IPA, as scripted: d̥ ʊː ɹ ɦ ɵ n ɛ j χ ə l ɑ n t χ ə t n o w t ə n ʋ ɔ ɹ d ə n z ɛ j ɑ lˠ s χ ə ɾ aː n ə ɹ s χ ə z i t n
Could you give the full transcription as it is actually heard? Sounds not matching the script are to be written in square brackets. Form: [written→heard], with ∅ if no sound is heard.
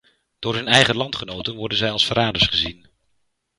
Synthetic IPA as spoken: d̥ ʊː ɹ ɦ ɵ n ɛ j χ ə l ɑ n t χ ə [t→∅] n o w t ə n ʋ ɔ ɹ d ə n z ɛ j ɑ lˠ s [χ→f] ə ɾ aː [n→d] ə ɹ s χ ə z i [t→∅] n